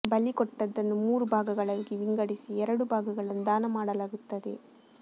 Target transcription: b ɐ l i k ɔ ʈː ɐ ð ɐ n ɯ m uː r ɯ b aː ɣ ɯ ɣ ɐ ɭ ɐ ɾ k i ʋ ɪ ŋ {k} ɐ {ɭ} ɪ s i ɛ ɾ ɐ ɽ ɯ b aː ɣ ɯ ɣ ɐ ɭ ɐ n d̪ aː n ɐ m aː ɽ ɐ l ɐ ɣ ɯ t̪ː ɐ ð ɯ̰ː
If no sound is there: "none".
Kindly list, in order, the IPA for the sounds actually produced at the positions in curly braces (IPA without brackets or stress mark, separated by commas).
ɡ, ɽ